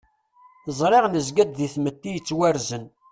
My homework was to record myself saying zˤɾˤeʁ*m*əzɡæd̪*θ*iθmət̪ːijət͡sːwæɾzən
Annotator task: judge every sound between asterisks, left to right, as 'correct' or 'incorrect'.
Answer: incorrect, incorrect

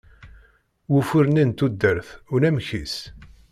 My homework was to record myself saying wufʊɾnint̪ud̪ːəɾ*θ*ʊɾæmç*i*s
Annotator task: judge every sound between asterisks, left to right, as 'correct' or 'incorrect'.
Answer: correct, correct

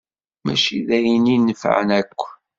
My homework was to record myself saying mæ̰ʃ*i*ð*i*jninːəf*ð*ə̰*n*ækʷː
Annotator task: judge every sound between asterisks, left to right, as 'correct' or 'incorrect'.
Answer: correct, incorrect, incorrect, correct

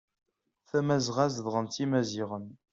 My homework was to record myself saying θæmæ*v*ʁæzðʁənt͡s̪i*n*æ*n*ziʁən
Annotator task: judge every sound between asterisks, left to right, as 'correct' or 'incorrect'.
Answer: incorrect, incorrect, incorrect

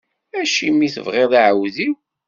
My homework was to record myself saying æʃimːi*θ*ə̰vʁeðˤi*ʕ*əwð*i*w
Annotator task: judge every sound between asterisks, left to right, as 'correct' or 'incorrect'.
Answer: correct, correct, correct

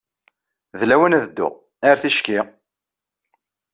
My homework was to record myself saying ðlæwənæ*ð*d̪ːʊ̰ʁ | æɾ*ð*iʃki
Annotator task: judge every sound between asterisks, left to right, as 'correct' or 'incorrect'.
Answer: correct, incorrect

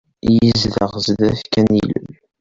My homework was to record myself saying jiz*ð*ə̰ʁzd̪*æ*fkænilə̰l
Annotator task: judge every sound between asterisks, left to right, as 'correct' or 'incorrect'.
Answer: correct, correct

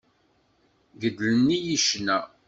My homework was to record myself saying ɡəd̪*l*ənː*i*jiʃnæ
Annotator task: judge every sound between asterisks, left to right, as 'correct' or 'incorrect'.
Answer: correct, correct

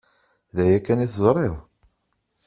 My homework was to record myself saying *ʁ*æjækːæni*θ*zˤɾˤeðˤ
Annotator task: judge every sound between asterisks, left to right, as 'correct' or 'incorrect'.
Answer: incorrect, correct

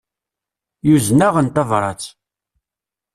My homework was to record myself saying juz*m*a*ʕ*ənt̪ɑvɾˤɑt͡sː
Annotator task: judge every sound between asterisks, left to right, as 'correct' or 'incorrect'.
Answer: incorrect, incorrect

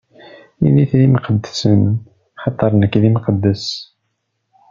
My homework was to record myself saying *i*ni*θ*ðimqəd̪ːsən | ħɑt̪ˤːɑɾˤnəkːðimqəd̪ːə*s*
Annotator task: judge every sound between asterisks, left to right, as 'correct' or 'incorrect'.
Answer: correct, correct, correct

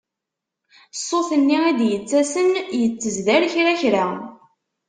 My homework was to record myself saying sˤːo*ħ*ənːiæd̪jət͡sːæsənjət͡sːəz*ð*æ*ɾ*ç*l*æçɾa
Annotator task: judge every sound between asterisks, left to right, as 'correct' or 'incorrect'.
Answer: incorrect, correct, correct, incorrect

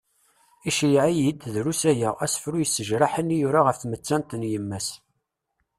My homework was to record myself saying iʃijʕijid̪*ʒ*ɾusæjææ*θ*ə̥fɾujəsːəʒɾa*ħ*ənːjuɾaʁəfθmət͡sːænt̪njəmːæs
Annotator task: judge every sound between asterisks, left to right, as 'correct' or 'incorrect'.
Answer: incorrect, incorrect, correct

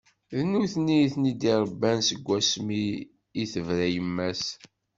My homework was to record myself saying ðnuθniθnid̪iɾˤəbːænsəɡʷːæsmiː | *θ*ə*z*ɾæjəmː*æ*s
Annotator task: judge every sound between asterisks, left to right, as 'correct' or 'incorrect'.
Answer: correct, incorrect, correct

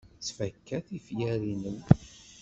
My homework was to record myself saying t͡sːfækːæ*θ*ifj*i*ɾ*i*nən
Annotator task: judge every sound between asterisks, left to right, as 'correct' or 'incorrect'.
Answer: correct, incorrect, correct

